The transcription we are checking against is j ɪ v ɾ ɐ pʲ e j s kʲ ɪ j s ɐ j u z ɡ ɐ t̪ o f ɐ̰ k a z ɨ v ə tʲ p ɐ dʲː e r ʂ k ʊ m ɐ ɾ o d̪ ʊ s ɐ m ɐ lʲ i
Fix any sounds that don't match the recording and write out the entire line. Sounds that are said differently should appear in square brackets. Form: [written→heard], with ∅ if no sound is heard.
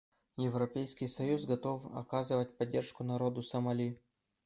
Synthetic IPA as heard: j ɪ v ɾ ɐ pʲ e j s kʲ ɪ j s ɐ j u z ɡ ɐ t̪ o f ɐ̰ k a z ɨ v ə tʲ p ɐ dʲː e r ʂ k ʊ [m→n] ɐ ɾ o d̪ ʊ s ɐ m ɐ lʲ i

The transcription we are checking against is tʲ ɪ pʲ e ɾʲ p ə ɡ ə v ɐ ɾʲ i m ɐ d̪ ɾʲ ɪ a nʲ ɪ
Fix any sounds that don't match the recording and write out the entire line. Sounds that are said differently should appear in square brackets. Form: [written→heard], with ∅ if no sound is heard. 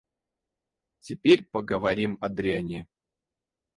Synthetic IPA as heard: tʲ ɪ pʲ e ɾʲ p ə ɡ ə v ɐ ɾʲ i m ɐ d̪ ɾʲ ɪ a nʲ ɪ

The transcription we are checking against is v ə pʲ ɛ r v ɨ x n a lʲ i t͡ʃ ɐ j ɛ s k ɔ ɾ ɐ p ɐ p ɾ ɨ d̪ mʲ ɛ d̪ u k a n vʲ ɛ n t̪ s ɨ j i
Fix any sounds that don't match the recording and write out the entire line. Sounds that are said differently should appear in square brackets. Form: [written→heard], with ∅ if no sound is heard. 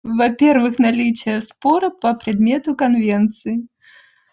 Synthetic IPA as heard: v [ə→a] pʲ ɛ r v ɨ x n a lʲ i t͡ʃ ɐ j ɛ s [k→p] ɔ ɾ ɐ p ɐ p ɾ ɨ d̪ mʲ ɛ [d̪→t̪] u k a n vʲ ɛ n t̪ s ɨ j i

